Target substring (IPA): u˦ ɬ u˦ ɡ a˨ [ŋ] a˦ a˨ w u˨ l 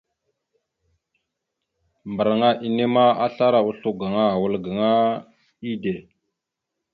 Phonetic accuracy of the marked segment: correct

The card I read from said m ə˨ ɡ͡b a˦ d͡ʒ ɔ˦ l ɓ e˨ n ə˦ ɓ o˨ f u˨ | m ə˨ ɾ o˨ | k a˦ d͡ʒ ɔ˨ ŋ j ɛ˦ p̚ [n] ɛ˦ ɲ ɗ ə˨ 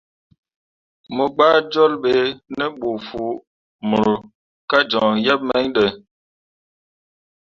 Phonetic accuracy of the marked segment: incorrect: m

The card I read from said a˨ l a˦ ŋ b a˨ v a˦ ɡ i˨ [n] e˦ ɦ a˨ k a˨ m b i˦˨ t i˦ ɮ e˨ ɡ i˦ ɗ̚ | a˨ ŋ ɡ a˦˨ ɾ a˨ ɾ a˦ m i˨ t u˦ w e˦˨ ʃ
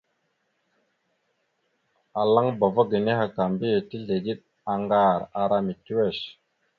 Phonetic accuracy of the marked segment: correct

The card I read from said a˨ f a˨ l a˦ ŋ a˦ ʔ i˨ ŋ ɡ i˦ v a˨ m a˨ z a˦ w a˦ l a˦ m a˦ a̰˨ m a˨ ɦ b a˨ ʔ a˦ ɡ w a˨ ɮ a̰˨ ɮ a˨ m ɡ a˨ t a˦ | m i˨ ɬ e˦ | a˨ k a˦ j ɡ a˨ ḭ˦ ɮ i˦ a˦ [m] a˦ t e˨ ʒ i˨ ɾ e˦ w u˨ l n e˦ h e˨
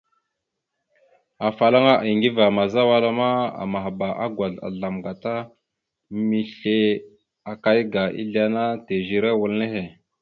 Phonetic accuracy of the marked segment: incorrect: n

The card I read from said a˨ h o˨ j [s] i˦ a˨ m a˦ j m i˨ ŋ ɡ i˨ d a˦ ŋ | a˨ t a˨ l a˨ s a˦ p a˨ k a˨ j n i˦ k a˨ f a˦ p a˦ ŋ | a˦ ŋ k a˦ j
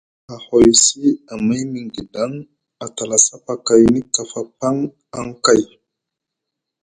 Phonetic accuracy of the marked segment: correct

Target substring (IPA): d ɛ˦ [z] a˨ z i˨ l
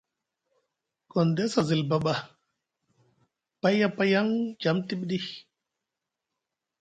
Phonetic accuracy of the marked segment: incorrect: s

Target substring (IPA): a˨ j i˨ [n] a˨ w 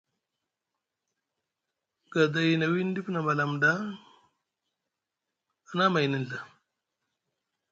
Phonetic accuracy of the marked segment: correct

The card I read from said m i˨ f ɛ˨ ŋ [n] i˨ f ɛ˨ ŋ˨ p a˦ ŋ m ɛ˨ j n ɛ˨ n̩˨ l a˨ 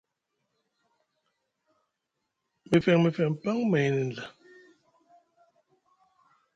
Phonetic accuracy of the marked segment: incorrect: m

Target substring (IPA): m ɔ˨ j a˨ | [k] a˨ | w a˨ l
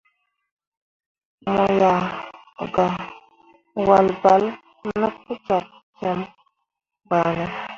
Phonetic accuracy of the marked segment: incorrect: ɡ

